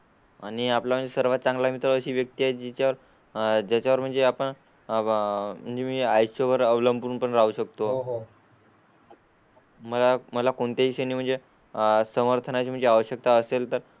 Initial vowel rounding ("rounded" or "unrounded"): unrounded